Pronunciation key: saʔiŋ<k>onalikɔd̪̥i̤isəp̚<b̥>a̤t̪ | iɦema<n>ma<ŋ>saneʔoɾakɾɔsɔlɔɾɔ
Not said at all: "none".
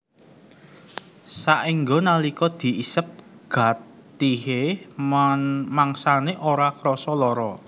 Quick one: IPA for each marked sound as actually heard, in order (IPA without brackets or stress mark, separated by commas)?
ɡ, ɡ̥, n, ŋ